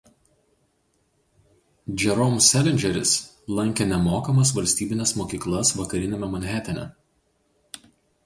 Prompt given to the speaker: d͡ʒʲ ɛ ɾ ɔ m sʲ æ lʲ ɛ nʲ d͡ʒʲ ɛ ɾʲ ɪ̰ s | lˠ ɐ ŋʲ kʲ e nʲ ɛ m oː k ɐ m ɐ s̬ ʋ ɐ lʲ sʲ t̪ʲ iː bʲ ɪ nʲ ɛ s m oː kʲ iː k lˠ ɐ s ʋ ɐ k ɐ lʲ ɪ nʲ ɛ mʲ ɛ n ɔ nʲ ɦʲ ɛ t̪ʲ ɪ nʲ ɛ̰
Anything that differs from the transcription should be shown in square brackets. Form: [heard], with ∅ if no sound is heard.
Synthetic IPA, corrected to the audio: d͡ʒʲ ɛ ɾ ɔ m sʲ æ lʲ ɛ nʲ d͡ʒʲ ɛ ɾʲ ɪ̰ s | lˠ ɐ ŋʲ kʲ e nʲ ɛ m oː k ɐ m ɐ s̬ ʋ ɐ lʲ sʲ t̪ʲ iː bʲ ɪ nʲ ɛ s m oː kʲ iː k lˠ ɐ s ʋ ɐ k ɐ [ɾʲ] ɪ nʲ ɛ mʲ ɛ [m] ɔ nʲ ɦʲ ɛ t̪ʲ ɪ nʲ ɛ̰